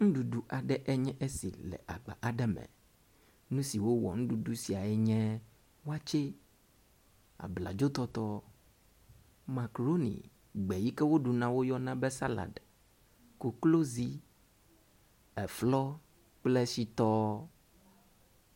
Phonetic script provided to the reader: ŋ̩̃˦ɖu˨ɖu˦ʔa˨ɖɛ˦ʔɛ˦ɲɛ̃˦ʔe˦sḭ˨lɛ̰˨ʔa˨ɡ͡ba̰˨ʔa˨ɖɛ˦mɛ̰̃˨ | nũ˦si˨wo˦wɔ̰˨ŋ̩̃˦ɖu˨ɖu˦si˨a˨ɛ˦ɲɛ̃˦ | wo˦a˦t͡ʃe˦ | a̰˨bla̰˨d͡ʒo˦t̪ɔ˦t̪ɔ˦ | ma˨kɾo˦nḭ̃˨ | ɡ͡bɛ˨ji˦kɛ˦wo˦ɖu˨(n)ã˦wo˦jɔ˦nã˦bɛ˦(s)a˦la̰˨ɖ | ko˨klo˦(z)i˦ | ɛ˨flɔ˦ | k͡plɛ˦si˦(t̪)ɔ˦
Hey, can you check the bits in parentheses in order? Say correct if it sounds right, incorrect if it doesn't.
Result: correct, correct, correct, correct

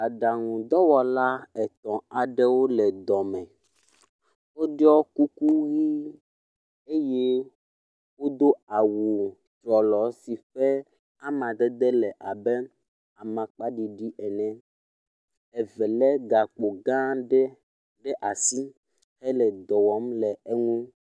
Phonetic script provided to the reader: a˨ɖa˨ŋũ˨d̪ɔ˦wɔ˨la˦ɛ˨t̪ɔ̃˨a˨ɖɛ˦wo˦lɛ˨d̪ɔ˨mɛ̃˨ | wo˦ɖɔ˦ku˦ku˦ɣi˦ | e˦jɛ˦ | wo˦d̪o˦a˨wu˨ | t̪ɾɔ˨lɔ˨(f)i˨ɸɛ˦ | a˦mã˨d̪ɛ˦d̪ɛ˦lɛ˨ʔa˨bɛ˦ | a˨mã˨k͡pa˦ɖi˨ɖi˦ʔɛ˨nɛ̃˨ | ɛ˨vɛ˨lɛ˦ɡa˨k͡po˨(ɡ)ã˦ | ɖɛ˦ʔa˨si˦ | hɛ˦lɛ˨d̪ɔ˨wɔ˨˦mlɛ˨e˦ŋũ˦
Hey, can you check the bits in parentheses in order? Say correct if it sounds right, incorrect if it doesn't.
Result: incorrect: s, correct

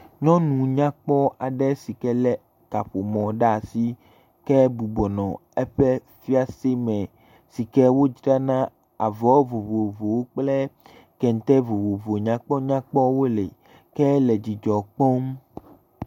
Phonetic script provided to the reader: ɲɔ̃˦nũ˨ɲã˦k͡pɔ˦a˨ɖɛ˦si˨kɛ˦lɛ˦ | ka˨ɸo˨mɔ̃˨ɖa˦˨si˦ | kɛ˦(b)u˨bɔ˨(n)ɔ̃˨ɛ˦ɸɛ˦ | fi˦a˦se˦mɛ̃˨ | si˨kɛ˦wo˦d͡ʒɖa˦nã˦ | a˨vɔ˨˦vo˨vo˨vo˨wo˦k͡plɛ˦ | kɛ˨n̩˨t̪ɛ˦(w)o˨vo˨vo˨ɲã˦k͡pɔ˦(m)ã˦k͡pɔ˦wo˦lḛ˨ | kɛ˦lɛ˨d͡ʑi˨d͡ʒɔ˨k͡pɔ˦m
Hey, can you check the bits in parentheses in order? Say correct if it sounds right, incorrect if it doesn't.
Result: correct, correct, incorrect: v, incorrect: ɲ

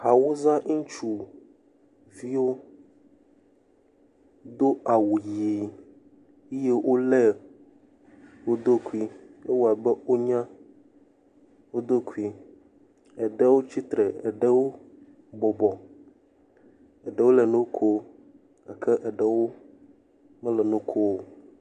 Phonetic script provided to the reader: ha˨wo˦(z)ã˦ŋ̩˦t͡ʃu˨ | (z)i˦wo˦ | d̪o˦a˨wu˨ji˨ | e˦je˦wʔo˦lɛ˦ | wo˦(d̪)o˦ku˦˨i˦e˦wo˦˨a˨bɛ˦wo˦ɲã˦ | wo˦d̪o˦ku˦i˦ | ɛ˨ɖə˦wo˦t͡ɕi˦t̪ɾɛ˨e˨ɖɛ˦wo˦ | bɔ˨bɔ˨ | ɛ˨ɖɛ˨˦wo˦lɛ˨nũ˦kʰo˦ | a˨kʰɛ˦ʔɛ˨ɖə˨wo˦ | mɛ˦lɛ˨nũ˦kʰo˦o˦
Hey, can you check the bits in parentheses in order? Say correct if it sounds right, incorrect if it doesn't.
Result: correct, incorrect: v, correct

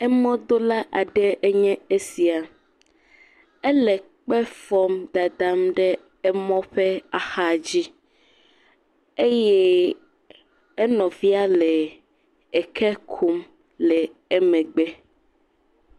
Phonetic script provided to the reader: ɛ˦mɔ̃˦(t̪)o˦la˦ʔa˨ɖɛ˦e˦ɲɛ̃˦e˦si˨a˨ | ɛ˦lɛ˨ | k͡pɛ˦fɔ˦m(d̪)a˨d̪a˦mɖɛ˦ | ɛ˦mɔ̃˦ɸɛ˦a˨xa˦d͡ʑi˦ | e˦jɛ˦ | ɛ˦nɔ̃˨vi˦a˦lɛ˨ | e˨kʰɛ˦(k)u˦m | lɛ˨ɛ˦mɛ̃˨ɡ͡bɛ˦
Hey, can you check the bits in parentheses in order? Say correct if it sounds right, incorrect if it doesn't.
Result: incorrect: d̪, correct, incorrect: kʰ

